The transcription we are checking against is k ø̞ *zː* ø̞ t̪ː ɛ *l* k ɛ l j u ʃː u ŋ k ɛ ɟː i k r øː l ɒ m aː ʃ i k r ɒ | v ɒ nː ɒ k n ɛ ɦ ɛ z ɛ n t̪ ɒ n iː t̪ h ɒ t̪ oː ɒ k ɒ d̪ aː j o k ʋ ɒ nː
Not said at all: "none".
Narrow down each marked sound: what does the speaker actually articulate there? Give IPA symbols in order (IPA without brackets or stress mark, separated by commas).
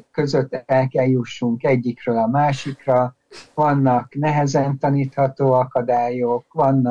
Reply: z, l